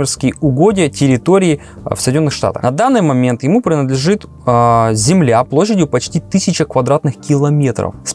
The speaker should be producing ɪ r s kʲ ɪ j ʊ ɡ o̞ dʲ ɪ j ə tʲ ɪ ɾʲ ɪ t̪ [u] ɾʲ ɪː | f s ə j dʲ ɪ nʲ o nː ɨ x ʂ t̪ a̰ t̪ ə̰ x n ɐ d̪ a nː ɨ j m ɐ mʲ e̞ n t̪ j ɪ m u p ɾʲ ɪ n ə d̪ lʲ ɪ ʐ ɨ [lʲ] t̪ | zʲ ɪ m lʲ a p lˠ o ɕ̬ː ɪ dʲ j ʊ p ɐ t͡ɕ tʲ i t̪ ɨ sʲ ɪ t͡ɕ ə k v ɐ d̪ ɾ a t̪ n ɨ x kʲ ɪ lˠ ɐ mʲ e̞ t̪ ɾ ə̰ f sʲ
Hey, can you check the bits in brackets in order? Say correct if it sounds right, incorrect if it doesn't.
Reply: incorrect: o, incorrect: none

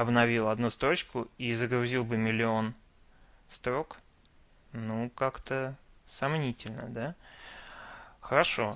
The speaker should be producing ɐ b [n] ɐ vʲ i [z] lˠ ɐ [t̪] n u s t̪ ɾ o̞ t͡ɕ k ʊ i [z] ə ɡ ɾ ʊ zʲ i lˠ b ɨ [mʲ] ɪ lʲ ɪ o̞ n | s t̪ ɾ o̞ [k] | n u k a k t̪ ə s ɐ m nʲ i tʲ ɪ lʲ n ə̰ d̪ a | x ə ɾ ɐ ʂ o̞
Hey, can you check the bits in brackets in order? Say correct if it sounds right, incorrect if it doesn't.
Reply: correct, incorrect: none, incorrect: d̪, correct, correct, correct

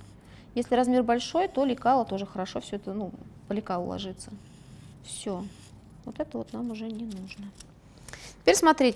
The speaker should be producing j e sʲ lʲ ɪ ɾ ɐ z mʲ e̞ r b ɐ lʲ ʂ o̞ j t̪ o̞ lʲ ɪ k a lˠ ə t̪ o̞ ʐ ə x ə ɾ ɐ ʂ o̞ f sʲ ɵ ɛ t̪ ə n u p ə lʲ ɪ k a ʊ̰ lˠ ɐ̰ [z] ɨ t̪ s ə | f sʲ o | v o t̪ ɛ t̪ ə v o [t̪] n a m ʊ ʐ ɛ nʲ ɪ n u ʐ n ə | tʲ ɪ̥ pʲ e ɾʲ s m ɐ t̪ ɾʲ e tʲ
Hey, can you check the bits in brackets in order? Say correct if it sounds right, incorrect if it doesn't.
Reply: incorrect: ʐ, correct

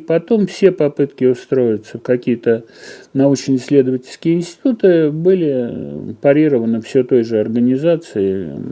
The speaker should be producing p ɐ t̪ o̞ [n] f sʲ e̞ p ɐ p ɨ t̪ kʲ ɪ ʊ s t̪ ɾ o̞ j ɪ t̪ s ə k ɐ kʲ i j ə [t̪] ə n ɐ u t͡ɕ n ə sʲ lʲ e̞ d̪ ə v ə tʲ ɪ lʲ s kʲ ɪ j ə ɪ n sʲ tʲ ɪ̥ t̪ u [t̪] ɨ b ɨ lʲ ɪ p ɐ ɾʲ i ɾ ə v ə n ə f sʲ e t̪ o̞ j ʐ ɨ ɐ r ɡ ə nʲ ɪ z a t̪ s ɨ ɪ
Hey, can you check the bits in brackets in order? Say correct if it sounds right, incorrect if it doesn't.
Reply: incorrect: m, correct, correct

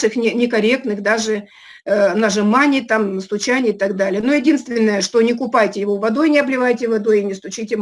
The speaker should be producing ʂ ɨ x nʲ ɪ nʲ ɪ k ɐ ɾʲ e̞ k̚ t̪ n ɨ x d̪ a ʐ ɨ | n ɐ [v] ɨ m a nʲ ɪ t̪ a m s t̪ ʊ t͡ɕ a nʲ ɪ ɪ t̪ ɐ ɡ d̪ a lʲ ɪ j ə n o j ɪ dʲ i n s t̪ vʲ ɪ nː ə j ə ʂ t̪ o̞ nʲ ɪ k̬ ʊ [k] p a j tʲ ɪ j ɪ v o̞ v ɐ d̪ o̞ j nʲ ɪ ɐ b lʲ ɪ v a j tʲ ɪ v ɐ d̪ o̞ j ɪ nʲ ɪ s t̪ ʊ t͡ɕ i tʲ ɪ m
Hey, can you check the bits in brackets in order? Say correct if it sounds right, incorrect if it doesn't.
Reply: incorrect: ʐ, incorrect: none

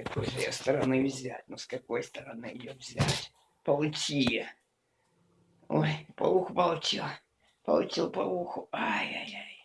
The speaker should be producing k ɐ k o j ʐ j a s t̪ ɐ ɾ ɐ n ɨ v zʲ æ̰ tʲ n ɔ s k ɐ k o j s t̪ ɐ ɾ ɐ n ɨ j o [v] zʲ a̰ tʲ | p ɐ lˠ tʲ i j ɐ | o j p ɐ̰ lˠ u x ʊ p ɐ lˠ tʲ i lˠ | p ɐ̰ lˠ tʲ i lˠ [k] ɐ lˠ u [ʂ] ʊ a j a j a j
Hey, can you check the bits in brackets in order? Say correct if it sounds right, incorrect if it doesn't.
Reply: correct, incorrect: p, incorrect: x

